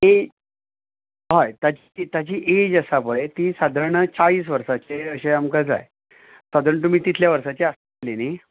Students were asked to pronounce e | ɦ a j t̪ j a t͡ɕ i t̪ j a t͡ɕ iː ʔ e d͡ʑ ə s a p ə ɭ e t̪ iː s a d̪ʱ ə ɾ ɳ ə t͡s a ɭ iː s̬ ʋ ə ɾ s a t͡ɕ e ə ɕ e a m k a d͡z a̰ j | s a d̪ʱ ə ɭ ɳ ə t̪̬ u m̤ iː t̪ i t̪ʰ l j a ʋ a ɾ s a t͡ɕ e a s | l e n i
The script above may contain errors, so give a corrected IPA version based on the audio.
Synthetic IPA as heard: e | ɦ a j t̪ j a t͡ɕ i t̪ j a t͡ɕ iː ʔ e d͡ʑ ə s a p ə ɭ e t̪ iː s a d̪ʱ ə ɾ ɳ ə t͡s a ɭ iː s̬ ʋ ə ɾ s a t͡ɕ e ə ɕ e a m k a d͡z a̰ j | s a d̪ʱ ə ɾ ɳ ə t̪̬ u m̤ iː t̪ i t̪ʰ l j a ʋ ə ɾ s a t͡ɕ e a s | l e n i